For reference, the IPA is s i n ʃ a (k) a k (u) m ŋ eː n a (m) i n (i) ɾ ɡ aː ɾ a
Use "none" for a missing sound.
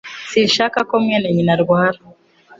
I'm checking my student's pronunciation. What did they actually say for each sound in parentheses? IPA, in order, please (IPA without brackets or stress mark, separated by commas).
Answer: k, o, ɲ, a